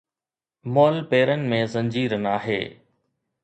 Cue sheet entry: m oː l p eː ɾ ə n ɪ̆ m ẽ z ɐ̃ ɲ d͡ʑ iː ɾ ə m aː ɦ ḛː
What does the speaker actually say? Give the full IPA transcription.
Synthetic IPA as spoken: m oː l p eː ɾ ə n ɪ̆ m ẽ z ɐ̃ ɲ d͡ʑ iː ɾ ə n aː ɦ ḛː